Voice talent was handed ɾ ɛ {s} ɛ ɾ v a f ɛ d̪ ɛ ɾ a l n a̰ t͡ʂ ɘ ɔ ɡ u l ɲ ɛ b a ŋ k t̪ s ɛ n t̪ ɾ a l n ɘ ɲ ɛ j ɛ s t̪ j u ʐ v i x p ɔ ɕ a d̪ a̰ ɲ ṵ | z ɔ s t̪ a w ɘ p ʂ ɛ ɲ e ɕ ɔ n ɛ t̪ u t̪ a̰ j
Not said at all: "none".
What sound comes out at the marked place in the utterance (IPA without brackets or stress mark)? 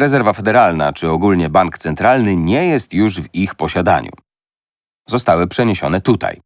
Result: z